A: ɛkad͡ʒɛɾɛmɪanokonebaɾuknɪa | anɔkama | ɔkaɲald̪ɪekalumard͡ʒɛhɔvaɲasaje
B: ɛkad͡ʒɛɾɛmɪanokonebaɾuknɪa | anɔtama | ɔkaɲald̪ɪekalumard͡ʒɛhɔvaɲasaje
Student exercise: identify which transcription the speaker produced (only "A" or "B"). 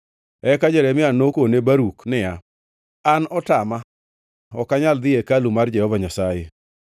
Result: B